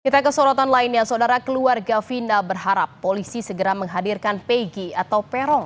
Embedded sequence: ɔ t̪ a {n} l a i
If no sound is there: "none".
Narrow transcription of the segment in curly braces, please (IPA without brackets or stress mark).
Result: n